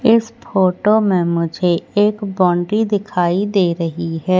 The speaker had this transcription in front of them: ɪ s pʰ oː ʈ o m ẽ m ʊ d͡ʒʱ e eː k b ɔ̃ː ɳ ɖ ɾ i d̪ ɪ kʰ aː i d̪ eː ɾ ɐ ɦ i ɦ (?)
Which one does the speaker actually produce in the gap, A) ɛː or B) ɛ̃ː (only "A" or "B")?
A